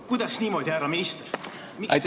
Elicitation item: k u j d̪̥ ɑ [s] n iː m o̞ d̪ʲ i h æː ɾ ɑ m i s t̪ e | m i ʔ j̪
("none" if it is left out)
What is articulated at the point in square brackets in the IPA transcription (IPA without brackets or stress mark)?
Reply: s